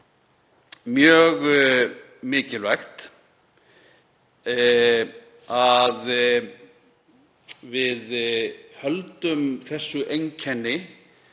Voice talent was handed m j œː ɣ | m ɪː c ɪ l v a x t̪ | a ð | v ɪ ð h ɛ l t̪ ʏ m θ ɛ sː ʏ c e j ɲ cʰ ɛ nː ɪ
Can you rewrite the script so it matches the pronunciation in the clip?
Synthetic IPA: m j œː ɣ | m ɪː c ɪ l v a x t̪ | a ð | v ɪ ð h œ l t̪ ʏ m θ ɛ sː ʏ ʔ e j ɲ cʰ ɛ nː ɪ